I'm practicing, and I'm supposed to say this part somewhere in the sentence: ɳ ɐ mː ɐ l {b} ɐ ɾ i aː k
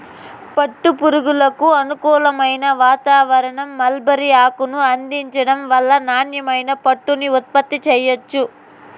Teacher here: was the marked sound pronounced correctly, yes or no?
yes